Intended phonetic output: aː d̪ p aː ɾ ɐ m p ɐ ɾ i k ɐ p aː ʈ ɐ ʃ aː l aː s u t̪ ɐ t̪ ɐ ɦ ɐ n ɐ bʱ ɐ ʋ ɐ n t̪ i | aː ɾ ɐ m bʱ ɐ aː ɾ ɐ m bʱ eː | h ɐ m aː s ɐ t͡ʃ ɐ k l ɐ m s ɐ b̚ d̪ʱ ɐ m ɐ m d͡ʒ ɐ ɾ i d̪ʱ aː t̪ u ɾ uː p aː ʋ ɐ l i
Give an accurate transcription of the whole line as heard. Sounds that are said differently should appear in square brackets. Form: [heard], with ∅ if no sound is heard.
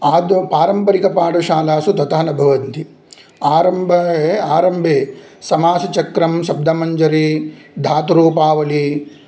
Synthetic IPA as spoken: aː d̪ p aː ɾ ɐ m p ɐ ɾ i k ɐ p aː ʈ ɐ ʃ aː l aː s u t̪ ɐ t̪ ɐ ɦ ɐ n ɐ bʱ ɐ ʋ ɐ n t̪ i | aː ɾ ɐ m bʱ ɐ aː ɾ ɐ m bʱ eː | [s] ɐ m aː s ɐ t͡ʃ ɐ k [ɾ] ɐ m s ɐ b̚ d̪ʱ ɐ m ɐ [ɲ] d͡ʒ ɐ ɾ i d̪ʱ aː t̪ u ɾ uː p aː ʋ ɐ l i